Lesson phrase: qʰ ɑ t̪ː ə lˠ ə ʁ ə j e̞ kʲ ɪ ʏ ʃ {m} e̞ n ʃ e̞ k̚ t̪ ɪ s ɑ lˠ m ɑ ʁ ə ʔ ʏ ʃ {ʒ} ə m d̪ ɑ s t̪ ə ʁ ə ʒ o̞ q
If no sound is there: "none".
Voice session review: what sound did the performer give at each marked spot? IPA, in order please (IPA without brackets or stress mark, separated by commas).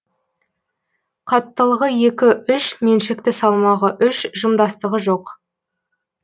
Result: m, ʒ